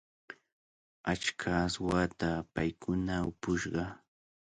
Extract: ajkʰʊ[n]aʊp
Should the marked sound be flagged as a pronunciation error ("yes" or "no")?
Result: no